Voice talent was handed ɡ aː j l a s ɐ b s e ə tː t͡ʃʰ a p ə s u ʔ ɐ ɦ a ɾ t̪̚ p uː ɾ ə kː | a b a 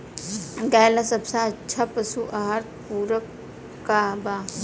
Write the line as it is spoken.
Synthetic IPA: ɡ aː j l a s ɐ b s a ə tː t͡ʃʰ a p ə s u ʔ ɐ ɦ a ɾ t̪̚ p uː ɾ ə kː | a b a